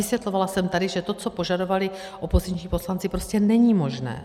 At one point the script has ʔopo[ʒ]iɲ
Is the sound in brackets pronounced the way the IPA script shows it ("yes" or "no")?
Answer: no